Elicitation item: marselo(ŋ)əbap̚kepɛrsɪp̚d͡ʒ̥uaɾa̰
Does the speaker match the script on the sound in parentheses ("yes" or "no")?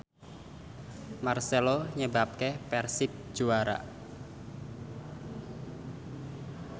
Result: no